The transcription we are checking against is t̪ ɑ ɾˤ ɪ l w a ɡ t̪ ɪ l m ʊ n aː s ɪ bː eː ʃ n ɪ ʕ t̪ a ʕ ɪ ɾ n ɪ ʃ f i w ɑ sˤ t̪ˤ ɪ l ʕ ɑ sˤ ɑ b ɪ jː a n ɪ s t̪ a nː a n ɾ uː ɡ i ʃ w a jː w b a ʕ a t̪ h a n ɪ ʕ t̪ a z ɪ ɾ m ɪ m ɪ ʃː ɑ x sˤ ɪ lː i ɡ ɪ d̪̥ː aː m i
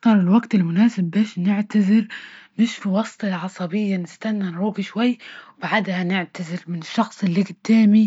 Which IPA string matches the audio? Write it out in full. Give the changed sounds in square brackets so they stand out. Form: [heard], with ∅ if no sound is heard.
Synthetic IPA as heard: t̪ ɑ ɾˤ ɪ l w a ɡ t̪ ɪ l m ʊ n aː s ɪ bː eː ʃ n ɪ ʕ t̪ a [z] ɪ ɾ n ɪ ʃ f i w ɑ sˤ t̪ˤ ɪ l ʕ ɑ sˤ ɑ b ɪ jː a n ɪ s t̪ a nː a n ɾ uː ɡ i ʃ w a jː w b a ʕ a [d̪] h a n ɪ ʕ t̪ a z ɪ ɾ m ɪ [n] ɪ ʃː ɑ x sˤ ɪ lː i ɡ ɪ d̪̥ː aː m i